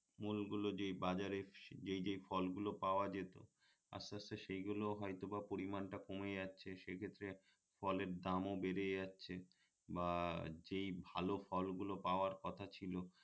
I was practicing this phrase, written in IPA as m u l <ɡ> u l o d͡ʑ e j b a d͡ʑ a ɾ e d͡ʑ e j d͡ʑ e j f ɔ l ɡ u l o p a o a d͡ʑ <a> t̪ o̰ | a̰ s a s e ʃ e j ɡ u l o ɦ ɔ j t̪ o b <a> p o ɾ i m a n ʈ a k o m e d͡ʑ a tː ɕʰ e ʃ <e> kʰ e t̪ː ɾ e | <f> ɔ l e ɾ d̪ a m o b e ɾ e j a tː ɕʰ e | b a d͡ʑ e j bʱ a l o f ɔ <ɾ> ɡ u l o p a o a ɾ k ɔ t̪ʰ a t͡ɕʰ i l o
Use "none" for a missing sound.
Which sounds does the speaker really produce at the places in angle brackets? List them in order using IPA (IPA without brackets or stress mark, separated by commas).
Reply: ɡ, e, a, e, f, l